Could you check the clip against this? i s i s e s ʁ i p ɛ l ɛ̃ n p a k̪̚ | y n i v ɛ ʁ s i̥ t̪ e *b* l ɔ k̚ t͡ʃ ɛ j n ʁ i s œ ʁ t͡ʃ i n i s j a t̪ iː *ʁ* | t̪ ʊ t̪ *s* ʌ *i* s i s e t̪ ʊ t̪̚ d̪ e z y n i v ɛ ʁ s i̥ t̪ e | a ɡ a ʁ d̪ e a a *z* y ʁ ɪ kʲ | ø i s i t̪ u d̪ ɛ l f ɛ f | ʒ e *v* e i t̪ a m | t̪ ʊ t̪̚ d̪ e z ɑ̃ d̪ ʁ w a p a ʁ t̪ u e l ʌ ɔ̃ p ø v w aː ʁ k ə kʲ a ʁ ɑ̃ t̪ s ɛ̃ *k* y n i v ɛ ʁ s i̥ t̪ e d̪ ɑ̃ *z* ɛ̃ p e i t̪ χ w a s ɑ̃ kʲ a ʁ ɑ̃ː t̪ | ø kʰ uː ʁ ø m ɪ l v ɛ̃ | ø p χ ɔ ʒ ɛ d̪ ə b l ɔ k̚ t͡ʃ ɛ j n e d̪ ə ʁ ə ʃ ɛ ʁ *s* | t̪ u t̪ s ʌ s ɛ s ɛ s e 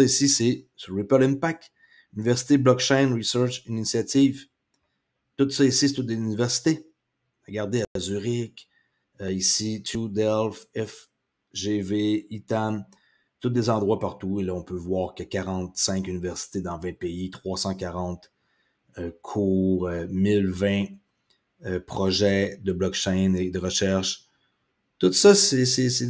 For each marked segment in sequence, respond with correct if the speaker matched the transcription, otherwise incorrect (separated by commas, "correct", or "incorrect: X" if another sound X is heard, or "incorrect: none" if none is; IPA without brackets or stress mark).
correct, incorrect: v, correct, correct, correct, correct, correct, incorrect: v, incorrect: ʃ